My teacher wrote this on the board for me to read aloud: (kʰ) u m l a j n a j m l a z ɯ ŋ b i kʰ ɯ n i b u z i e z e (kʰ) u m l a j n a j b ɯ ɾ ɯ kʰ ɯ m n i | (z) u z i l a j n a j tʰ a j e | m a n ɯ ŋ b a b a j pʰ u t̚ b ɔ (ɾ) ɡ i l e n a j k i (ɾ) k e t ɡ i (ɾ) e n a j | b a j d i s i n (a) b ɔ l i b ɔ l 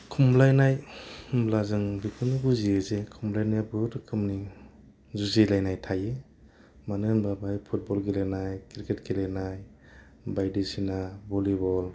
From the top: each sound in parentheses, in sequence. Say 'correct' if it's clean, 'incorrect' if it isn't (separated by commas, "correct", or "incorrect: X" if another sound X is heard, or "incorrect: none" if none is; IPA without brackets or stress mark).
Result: correct, correct, correct, incorrect: l, correct, incorrect: l, correct